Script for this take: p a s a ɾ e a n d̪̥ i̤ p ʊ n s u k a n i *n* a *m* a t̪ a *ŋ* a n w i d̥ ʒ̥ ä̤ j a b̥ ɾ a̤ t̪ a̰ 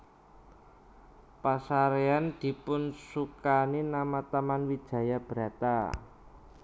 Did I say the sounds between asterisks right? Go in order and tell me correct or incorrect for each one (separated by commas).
correct, correct, incorrect